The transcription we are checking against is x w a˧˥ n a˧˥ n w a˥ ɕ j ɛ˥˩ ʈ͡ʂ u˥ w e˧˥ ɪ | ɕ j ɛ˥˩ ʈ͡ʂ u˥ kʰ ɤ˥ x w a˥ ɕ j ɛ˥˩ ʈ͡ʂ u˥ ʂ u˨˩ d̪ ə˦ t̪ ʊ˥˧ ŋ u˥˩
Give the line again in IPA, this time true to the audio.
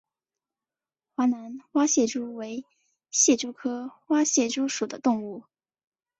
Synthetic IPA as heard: x w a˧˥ n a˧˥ n w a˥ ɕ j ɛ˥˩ ʈ͡ʂ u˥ w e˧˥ ɪ | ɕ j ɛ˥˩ ʈ͡ʂ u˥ kʰ ɤ˥ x w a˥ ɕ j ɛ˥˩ ʈ͡ʂ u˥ ʂ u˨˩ d̪ ə˦ t̪ ʊ˥˧ ŋ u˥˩